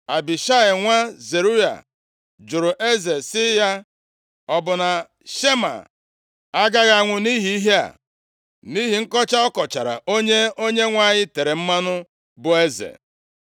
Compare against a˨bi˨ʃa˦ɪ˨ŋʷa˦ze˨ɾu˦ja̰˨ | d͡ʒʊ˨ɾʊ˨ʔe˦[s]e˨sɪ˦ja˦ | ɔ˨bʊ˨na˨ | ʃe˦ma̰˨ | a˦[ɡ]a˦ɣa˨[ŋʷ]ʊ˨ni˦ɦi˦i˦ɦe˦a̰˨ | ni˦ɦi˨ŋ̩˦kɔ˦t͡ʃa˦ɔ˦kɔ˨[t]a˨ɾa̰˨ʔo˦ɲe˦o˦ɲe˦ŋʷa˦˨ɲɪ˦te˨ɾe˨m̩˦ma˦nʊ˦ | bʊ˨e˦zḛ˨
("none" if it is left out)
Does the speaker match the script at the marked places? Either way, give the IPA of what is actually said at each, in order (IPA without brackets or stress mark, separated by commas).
z, ɡ, ŋʷ, t͡ʃ